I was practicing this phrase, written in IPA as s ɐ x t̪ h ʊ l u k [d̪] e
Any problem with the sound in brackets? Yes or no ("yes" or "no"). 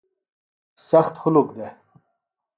no